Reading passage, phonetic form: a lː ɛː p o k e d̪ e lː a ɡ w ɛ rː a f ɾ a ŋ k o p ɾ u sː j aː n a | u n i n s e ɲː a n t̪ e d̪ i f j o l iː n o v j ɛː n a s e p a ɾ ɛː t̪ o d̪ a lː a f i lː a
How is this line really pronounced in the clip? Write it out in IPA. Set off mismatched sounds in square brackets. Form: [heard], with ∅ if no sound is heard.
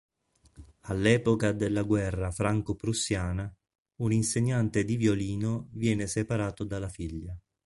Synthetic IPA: a lː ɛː p o k [a] d̪ e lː a ɡ w ɛ rː a f ɾ a ŋ k o p ɾ u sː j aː n a | u n i n s e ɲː a n t̪ e d̪ i [v] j o l iː n o v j ɛː n [e] s e p a ɾ [aː] t̪ o d̪ a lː a f i [ʎː] a